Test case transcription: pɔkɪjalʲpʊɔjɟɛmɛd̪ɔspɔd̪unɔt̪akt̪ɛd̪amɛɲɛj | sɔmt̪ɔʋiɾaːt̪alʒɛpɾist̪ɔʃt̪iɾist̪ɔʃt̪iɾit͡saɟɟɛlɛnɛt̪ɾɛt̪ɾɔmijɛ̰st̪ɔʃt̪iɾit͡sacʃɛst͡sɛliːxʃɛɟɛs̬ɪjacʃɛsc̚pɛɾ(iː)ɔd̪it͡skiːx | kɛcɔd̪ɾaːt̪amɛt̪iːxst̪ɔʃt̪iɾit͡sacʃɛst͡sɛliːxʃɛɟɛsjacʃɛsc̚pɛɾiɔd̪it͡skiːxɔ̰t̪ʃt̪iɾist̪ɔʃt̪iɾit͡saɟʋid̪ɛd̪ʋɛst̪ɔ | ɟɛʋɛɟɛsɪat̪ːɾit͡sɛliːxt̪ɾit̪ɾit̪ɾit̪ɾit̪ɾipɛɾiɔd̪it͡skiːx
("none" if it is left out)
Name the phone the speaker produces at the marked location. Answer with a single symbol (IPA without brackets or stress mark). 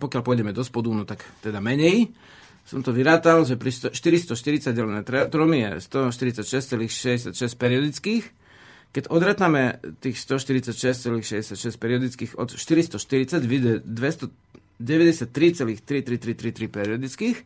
i